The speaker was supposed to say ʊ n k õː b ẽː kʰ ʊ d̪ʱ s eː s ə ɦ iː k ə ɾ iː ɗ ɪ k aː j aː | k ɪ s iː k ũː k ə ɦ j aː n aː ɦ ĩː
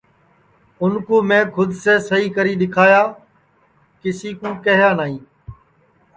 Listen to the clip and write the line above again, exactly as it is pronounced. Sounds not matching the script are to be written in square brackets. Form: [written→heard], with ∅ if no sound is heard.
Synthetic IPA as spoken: ʊ n k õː [b→m] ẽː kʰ ʊ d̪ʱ s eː s ə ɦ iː k ə ɾ iː ɗ ɪ [k→kʰ] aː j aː | k ɪ s iː k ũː k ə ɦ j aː n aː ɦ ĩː